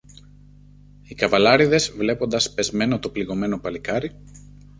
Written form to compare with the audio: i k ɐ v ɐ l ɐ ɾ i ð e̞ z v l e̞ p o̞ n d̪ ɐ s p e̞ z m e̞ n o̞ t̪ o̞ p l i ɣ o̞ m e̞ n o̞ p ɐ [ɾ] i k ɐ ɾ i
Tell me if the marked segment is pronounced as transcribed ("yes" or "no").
no